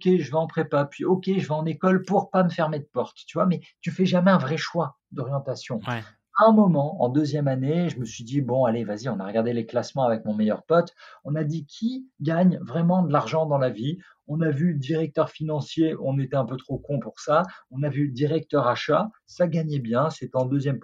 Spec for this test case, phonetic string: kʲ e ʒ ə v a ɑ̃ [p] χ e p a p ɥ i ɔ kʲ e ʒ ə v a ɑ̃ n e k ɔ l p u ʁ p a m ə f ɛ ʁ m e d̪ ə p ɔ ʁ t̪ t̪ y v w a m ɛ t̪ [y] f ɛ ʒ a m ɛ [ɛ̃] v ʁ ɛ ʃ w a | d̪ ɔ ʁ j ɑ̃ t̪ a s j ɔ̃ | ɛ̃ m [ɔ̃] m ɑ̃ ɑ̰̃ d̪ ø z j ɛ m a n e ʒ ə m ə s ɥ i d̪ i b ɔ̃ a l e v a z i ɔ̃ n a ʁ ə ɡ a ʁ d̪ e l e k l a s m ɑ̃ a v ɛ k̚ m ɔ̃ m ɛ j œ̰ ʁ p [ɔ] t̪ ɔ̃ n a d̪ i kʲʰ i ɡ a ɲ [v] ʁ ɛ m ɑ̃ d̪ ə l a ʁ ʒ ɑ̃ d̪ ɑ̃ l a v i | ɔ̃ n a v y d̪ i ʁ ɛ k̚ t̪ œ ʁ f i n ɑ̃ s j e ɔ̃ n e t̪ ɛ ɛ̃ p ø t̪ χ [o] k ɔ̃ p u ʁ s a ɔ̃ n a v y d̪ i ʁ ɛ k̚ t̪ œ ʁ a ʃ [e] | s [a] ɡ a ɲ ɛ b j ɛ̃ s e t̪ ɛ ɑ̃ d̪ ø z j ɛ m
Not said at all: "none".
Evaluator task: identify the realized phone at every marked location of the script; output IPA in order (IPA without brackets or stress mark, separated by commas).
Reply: p, y, ɛ̃, ɔ, ɔ, v, o, a, a